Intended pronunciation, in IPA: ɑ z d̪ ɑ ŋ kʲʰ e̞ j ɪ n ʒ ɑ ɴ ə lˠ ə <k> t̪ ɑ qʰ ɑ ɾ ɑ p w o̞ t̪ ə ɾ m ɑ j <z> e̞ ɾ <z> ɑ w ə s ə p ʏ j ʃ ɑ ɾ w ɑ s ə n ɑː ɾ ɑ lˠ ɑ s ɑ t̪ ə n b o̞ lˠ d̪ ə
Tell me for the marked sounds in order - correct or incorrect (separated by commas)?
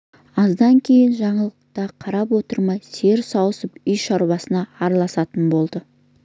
incorrect, incorrect, incorrect